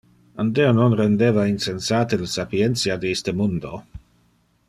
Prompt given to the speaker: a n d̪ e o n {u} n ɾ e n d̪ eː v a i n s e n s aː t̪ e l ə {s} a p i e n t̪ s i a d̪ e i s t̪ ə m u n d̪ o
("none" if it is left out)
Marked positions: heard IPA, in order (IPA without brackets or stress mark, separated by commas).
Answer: o, s